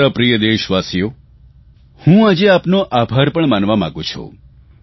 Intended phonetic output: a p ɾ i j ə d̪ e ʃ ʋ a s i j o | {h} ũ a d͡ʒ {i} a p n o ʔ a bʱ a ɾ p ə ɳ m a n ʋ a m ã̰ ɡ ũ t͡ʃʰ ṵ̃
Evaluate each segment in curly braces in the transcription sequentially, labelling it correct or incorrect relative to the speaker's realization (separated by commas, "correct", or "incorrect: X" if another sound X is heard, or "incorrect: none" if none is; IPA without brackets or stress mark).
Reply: correct, incorrect: e